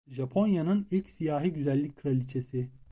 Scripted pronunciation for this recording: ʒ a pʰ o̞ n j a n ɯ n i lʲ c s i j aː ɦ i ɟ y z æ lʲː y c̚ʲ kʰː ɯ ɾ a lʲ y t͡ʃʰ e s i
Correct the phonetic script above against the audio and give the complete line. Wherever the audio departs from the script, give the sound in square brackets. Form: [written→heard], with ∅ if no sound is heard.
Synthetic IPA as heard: ʒ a pʰ o̞ n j a n ɯ n i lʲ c s i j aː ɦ i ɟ y z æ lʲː [y→i] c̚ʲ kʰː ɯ ɾ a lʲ [y→i] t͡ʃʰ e s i